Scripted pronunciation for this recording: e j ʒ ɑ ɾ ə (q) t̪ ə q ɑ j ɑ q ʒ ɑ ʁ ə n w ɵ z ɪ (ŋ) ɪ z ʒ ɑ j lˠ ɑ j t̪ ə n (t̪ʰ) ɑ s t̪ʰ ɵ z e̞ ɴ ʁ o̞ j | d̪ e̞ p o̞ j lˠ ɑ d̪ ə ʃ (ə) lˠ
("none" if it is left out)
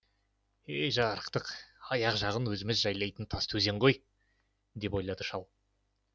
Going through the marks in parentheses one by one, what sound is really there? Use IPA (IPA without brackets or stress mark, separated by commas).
q, m, t̪ʰ, ɑ